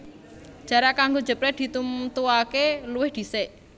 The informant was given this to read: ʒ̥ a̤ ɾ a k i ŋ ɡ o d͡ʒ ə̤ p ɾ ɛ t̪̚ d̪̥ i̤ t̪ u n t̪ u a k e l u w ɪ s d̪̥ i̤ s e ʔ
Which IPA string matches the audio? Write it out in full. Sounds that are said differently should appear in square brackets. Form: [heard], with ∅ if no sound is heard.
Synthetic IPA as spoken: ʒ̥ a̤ ɾ a k [a] ŋ ɡ o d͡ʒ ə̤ p ɾ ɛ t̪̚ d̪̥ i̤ t̪ u [m] t̪ u a k e l u w ɪ [h] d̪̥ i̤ s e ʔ